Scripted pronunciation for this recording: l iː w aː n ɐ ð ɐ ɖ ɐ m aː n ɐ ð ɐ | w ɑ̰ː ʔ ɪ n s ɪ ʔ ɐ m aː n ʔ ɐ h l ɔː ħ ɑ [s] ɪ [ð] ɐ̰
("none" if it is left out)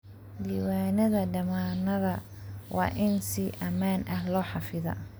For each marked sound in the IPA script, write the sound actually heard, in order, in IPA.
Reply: f, ð

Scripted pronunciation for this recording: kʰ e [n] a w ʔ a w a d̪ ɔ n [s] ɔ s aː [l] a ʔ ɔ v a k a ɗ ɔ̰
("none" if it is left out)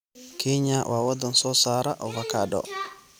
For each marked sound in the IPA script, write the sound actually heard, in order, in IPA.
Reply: ɲ, s, ɾ

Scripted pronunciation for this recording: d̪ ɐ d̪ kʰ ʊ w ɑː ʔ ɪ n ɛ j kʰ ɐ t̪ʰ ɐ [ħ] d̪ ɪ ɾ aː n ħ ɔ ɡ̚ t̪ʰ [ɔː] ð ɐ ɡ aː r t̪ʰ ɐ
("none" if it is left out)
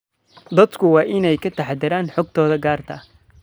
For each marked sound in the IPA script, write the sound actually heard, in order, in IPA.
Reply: ħ, ɔː

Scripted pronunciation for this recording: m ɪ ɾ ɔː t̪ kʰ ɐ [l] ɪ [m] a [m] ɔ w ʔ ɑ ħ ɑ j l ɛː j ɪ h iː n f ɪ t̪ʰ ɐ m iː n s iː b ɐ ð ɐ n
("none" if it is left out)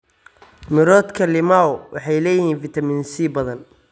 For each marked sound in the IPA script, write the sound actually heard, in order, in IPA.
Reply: l, m, none

